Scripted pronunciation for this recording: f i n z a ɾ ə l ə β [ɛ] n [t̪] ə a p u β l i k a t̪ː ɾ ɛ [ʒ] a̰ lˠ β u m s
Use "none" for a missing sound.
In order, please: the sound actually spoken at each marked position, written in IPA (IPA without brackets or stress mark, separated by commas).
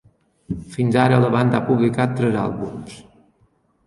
a, d̪, z